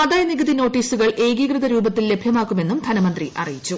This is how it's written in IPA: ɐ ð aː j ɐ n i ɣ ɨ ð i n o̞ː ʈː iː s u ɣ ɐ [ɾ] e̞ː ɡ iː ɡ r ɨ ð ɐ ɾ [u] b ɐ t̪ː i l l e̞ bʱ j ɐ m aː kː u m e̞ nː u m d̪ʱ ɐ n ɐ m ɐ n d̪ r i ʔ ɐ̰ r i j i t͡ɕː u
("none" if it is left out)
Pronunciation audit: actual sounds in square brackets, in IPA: ɭ, uː

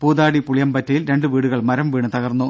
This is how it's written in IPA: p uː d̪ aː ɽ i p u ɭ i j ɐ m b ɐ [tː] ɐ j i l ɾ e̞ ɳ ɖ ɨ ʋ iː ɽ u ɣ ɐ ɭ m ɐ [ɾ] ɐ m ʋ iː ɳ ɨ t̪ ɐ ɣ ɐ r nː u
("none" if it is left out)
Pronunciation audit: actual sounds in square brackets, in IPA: tː, ɾ

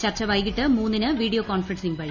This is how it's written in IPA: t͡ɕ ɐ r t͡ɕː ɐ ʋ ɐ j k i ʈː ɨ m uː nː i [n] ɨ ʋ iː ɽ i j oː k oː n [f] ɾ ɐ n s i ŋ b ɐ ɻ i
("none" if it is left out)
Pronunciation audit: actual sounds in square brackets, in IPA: n, f

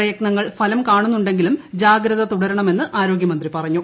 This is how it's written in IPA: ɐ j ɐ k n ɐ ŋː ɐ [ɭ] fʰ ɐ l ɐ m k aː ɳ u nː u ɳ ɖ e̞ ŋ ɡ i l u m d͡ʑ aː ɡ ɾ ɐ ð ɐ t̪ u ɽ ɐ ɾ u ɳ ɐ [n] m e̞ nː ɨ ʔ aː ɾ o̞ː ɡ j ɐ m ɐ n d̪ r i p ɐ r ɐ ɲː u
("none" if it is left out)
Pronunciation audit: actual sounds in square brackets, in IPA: ɭ, none

